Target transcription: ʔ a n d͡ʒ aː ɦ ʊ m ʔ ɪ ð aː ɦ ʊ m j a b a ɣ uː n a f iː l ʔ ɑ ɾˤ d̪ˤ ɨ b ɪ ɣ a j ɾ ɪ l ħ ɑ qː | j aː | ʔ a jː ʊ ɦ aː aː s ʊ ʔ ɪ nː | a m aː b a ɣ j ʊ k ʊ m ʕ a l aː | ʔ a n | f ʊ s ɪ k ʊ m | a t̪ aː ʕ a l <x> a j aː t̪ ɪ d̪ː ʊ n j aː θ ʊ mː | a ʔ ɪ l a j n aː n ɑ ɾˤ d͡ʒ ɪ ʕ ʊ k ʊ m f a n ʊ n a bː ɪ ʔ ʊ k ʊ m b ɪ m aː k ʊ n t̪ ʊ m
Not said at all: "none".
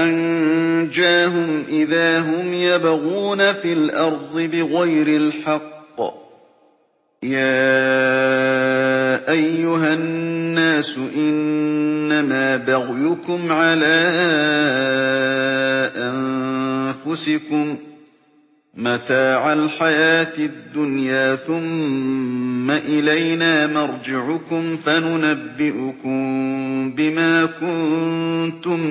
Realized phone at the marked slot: ħ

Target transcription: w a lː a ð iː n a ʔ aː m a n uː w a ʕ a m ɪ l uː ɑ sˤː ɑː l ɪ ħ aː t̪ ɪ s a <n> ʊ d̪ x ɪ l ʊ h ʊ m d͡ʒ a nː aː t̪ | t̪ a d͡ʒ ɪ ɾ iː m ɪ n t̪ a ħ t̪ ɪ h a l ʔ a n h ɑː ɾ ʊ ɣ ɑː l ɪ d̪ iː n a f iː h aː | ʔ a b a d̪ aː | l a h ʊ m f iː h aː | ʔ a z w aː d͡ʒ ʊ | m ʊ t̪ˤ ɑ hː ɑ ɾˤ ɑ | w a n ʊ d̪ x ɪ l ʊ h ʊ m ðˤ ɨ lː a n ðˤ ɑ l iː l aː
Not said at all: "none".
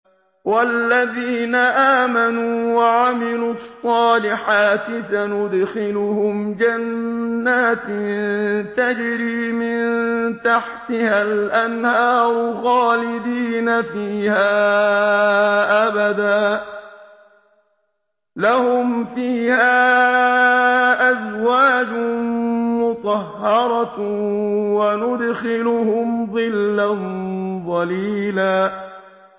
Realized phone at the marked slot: n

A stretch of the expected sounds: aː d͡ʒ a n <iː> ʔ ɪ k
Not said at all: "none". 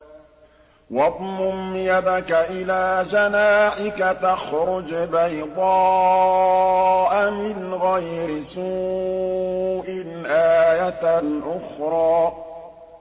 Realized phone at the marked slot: aː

